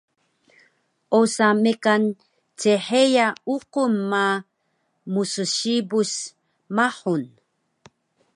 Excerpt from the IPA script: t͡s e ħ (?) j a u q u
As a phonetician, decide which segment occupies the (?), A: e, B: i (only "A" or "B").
A